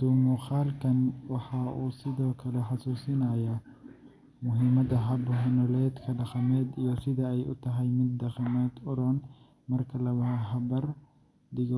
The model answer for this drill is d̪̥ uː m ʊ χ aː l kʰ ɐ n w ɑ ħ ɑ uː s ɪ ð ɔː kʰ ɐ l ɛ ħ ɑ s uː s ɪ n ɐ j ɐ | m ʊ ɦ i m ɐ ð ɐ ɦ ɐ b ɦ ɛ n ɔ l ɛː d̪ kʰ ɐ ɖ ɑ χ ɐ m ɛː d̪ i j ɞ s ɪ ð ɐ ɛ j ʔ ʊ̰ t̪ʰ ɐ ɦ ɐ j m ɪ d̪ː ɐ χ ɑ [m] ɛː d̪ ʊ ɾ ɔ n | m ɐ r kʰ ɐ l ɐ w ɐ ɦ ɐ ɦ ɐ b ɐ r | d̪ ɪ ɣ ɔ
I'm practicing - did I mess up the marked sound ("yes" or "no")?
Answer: no